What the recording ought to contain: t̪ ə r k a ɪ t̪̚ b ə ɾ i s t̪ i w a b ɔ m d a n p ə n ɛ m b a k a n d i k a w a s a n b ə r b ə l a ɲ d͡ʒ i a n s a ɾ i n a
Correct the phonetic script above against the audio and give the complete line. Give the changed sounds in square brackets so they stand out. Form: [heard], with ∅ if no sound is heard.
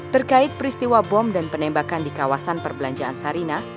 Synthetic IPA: t̪ ə r k a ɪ t̪̚ [p] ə ɾ i s t̪ i w a b ɔ m d a n p ə n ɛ m b a k a n d i k a w a s a n [p] ə r b ə l a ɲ d͡ʒ [a] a n s a ɾ i n a